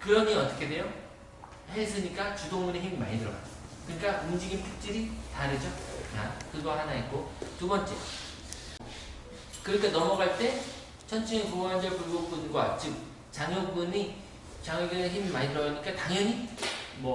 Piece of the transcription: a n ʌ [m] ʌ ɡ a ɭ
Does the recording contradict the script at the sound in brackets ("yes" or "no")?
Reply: no